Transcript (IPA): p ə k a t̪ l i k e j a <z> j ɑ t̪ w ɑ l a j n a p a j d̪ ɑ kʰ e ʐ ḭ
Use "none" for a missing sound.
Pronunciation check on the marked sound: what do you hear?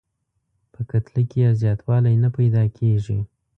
z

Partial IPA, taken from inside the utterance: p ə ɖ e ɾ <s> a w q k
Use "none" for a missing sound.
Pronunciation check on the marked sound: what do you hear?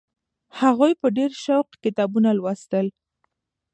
ʃ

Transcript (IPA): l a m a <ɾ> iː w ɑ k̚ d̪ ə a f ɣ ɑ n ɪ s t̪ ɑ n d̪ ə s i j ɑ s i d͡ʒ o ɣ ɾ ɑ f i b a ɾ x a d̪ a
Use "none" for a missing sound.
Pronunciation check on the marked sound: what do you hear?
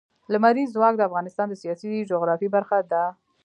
ɾ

